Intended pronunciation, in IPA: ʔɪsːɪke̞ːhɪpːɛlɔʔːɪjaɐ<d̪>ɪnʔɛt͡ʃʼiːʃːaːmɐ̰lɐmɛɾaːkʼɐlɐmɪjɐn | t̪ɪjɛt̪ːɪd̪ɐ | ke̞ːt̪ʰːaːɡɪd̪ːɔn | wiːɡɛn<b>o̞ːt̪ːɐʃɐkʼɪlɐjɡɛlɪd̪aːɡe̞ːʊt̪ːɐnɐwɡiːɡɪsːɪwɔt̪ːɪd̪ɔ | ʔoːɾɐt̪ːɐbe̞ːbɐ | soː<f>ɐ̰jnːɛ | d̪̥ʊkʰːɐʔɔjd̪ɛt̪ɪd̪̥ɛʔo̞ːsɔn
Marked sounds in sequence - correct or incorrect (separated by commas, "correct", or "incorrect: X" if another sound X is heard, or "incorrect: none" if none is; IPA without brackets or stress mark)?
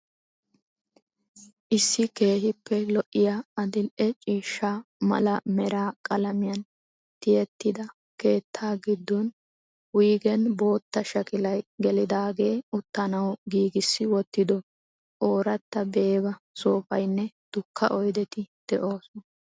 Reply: correct, correct, correct